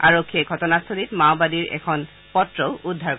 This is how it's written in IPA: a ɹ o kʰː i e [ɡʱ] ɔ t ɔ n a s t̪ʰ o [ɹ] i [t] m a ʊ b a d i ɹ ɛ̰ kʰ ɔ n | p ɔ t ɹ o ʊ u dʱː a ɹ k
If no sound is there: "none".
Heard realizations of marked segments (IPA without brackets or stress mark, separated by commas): ɡʱ, l, t